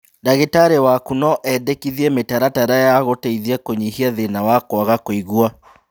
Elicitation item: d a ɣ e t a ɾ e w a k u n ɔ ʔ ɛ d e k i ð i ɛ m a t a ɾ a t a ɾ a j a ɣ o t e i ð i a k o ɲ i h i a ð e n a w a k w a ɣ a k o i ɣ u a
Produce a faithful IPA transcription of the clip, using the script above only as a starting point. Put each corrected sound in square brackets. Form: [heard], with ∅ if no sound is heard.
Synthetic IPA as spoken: d a ɣ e t a ɾ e w a k u n ɔ ʔ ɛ d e k i ð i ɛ m [e] t a ɾ a t a ɾ a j a ɣ o t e i ð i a k o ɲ i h i a ð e n a w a k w a ɣ a k o i ɣ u a